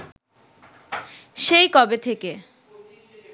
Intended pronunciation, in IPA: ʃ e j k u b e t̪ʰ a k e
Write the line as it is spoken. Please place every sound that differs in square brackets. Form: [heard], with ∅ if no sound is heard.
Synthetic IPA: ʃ e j k [ɔ] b e t̪ʰ [e] k e